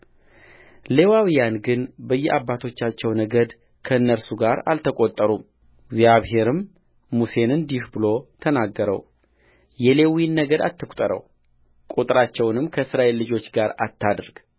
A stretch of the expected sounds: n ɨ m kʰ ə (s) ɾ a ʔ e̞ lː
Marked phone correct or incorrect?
correct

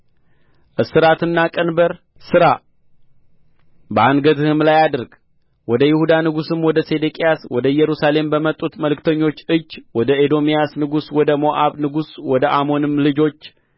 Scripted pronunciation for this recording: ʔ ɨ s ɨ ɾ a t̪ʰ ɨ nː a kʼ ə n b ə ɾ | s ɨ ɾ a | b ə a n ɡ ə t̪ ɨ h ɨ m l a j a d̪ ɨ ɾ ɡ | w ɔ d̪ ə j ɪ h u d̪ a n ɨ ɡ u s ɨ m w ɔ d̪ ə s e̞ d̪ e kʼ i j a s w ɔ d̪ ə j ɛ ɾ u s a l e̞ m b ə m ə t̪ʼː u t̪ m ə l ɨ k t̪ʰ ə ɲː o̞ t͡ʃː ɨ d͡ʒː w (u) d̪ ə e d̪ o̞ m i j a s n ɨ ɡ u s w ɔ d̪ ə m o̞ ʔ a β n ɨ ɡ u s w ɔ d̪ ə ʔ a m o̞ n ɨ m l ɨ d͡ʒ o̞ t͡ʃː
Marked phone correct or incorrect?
incorrect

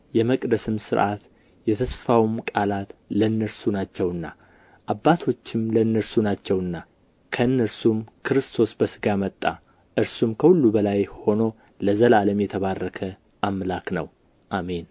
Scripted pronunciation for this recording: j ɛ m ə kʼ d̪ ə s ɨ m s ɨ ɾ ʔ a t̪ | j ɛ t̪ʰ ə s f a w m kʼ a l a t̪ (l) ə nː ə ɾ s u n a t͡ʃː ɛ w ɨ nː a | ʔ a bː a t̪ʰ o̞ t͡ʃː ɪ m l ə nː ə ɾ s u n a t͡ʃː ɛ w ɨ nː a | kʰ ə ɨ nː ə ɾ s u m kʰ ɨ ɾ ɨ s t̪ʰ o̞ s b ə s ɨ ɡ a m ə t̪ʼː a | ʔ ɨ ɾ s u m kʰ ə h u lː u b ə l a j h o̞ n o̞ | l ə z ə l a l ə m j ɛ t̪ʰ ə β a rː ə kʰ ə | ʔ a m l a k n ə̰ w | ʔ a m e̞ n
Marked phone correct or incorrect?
correct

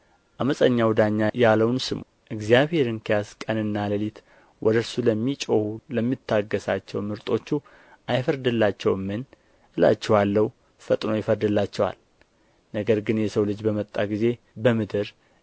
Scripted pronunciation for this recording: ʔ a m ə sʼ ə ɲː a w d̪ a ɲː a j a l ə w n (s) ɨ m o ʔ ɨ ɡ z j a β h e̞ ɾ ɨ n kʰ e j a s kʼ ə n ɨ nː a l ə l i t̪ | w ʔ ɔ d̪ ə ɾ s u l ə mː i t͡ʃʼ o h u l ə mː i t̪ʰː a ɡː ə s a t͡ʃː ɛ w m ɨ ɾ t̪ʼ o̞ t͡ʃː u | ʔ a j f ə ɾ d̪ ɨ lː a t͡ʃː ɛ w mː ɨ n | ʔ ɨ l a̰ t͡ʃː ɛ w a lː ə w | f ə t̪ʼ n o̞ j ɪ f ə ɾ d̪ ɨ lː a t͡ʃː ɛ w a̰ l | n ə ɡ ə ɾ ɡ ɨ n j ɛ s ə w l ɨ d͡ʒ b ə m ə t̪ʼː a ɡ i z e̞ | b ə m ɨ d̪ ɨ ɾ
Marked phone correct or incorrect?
correct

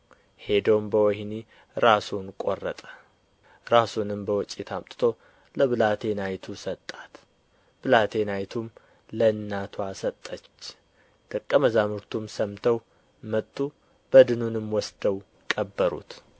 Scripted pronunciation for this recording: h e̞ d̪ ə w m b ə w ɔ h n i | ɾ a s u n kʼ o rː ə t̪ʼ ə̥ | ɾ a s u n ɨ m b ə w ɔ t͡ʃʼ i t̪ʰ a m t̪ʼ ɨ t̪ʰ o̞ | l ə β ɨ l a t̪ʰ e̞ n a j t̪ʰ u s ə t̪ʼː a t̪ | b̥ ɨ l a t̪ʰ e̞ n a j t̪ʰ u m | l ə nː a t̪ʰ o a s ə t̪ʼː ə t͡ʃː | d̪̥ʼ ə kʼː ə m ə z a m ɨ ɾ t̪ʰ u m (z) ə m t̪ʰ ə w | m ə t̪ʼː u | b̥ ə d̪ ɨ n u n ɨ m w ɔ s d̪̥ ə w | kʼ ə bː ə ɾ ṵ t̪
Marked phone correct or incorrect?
incorrect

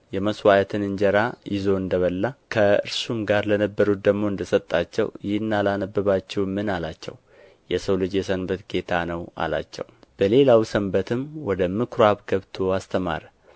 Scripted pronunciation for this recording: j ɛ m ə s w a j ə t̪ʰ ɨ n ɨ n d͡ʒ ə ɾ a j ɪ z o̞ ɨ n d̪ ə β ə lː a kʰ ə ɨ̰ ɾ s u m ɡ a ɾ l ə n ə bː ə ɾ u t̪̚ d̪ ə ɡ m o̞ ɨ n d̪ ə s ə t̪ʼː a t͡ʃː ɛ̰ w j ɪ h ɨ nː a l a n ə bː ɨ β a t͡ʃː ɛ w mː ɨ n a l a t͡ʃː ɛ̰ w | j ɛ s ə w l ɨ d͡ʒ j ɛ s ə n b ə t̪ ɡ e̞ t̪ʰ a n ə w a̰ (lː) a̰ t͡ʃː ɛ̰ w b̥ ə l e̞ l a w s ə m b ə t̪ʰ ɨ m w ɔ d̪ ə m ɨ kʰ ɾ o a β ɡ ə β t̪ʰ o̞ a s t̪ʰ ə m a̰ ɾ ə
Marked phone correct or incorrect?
incorrect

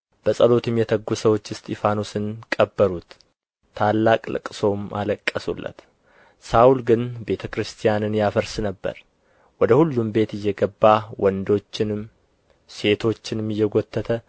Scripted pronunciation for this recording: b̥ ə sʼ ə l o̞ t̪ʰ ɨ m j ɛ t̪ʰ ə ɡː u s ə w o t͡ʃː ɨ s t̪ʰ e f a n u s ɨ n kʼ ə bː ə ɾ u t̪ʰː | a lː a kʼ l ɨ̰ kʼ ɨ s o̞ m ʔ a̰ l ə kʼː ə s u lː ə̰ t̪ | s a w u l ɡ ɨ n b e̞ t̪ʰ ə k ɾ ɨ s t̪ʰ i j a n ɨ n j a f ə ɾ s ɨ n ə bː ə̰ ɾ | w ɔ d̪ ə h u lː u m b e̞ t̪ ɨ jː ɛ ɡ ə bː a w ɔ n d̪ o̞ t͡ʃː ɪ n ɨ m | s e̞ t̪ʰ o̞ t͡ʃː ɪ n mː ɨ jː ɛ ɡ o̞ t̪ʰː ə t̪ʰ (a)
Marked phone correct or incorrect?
incorrect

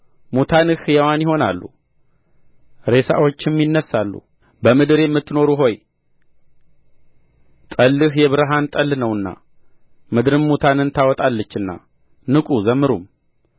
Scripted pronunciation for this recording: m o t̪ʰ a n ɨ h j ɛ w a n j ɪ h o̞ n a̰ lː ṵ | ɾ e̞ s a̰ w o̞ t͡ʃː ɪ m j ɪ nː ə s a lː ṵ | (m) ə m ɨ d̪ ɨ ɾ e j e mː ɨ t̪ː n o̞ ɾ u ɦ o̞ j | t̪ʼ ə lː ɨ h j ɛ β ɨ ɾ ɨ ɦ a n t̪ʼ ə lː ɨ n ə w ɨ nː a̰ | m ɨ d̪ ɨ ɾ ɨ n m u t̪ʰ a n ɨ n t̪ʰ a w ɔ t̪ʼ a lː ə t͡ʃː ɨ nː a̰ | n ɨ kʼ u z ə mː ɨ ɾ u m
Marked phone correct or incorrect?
incorrect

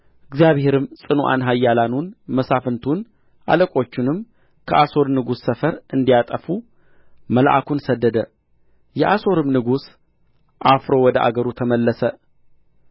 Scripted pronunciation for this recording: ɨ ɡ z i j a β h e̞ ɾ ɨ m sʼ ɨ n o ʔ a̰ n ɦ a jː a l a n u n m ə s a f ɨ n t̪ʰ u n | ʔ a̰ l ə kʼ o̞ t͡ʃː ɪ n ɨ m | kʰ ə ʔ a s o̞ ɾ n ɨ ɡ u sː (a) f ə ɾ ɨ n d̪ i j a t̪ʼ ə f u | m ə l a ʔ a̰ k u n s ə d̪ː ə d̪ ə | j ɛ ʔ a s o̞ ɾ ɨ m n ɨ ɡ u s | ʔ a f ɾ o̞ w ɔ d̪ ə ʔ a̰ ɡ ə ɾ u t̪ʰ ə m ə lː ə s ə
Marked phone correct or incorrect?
incorrect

